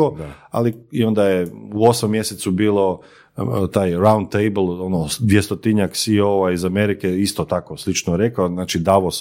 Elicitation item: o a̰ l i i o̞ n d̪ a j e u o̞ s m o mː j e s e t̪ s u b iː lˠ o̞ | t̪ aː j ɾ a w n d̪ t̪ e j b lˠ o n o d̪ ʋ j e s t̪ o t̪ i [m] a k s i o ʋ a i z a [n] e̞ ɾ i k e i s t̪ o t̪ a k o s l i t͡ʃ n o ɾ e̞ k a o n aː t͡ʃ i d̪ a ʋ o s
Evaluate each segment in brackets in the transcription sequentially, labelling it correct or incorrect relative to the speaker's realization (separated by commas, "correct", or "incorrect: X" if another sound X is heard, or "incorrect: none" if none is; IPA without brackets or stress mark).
incorrect: ɲ, incorrect: m